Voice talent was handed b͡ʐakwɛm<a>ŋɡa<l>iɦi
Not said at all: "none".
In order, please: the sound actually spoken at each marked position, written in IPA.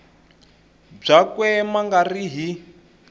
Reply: a, r

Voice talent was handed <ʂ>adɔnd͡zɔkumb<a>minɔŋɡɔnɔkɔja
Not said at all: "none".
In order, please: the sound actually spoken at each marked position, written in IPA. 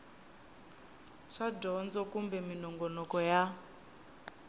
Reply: ʂ, ɛ

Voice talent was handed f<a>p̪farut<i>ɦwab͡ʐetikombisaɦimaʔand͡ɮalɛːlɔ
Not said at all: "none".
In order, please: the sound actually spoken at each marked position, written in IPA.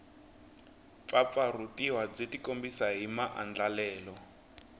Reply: a, i

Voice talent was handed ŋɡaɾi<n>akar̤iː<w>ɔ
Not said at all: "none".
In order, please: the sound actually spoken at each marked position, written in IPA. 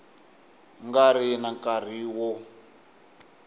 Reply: n, w

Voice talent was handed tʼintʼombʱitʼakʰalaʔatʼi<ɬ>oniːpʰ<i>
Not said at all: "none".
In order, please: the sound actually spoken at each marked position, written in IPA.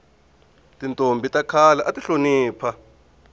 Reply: ɬ, a

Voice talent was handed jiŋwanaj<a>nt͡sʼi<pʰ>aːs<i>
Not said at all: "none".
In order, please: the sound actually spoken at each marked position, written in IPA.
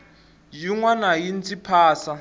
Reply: i, pʰ, a

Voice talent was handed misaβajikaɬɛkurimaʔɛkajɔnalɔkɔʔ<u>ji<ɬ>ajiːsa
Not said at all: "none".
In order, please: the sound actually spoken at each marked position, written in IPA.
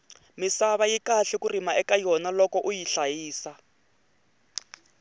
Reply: u, ɬ

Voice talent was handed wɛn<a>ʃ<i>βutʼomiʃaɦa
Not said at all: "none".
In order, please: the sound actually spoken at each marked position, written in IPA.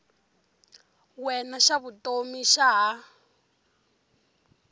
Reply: a, a

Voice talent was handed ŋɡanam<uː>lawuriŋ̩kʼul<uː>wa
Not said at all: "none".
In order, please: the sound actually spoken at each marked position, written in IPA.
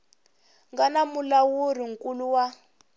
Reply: u, u

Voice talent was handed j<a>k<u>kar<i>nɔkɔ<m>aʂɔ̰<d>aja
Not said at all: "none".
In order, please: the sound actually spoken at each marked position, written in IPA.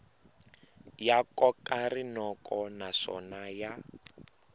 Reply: a, ɔ, i, n, n

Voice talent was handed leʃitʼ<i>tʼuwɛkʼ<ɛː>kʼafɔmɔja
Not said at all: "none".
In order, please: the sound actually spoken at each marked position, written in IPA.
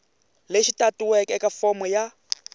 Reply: a, ɛ

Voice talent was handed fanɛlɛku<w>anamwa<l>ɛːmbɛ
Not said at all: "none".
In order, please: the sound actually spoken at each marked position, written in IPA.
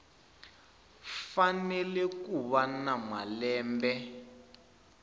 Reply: β, l

